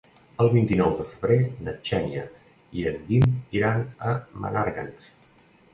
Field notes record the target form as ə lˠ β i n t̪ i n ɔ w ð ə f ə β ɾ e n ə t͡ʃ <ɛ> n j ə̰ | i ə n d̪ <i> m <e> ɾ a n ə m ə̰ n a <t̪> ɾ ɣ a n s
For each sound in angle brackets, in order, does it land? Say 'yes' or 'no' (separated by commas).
yes, yes, no, no